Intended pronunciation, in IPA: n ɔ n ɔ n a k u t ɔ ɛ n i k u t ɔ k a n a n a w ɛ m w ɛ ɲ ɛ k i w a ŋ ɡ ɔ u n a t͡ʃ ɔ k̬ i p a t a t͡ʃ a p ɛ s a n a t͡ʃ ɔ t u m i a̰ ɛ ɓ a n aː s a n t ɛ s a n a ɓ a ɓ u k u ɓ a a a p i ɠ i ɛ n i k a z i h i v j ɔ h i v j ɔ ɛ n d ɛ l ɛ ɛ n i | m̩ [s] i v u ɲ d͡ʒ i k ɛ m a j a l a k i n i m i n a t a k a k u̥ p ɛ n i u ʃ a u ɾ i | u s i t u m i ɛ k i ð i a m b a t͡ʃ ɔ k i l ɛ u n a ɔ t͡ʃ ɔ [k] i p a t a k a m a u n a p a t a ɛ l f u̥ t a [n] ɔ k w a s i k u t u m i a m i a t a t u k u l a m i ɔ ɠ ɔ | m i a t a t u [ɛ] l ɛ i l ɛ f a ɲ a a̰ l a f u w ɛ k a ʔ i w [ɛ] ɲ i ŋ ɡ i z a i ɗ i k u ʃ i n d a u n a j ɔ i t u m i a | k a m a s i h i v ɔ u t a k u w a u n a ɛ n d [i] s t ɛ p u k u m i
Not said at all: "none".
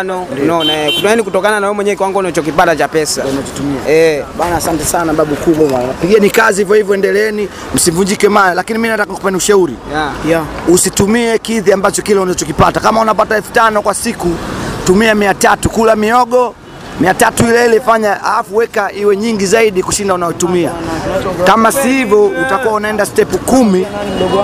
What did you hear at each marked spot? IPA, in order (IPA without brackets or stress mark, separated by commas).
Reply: s, k, n, i, ɛ, a